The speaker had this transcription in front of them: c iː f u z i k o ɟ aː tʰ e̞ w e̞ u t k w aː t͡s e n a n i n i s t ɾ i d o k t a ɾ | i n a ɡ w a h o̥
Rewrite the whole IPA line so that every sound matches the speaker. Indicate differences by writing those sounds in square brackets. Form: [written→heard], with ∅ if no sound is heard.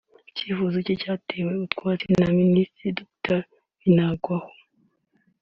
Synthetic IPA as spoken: c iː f u z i [k→c] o [ɟ→c] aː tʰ e̞ w e̞ u t k w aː t͡s e n a [n→m] i n i s t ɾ i d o k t a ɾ | i n a ɡ w a h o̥